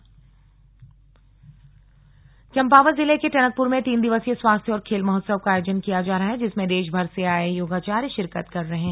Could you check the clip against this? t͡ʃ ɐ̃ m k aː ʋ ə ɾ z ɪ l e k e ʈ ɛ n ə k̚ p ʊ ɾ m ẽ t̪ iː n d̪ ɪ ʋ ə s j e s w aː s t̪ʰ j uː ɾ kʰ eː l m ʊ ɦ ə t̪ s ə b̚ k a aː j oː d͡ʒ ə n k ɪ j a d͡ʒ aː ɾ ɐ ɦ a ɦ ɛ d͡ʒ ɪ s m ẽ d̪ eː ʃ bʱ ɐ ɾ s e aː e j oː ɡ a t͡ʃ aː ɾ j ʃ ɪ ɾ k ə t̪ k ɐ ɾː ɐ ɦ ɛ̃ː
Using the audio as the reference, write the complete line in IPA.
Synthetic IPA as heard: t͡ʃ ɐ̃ m p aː ʋ ə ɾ z ɪ l e k e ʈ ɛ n ə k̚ p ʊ ɾ m ẽ t̪ iː n d̪ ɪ ʋ ə s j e s w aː s t̪ʰ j ɔː ɾ kʰ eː l m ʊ ɦ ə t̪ s ə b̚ k a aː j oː d͡ʒ ə n k i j a d͡ʒ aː ɾ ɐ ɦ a ɦ ɛ d͡ʒ ɪ s m ẽ d̪ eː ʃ bʱ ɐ ɾ s e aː e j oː ɡ a t͡ʃ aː ɾ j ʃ ɪ ɾ k ə t̪ k ɐ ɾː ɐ ɦ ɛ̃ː